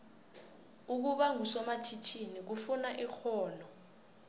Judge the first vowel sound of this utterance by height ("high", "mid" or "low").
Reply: high